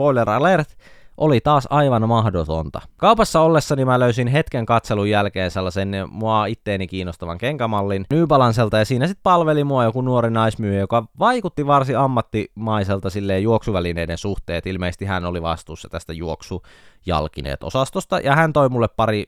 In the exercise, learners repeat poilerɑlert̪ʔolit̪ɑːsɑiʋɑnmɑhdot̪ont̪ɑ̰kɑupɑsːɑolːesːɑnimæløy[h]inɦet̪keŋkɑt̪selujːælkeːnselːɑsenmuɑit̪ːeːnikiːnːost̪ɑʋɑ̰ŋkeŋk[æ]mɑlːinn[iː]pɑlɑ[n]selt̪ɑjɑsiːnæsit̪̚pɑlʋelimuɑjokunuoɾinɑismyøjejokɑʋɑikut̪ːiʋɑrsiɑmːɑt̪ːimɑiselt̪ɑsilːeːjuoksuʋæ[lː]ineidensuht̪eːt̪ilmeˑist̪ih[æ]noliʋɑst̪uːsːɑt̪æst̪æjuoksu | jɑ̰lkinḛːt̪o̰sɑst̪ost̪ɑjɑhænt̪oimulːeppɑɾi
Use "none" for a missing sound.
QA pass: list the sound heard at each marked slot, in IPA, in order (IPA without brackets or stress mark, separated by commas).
s, æ, yː, n, l, æ